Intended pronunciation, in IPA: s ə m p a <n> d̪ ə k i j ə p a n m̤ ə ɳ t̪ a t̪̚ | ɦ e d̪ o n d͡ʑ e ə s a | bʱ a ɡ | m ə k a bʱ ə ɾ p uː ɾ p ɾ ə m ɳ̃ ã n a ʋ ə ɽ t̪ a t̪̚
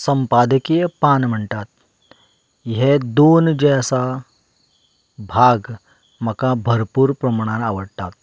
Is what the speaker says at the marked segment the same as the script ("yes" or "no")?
no